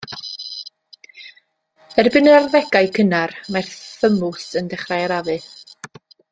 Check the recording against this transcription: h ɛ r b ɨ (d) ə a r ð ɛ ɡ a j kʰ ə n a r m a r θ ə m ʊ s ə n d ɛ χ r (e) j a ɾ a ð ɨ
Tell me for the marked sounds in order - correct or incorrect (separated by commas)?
incorrect, incorrect